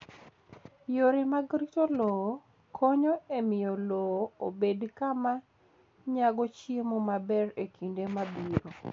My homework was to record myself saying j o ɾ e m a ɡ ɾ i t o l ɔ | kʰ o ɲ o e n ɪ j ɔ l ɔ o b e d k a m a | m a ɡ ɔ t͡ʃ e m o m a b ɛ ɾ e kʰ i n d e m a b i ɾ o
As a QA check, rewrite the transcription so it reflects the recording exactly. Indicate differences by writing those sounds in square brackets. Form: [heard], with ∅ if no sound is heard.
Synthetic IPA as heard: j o ɾ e m a ɡ ɾ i t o l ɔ | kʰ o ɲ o e [m] ɪ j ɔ l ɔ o b e d k a m a | [ɲ] a ɡ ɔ t͡ʃ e m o m a b ɛ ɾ e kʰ i n d e m a b i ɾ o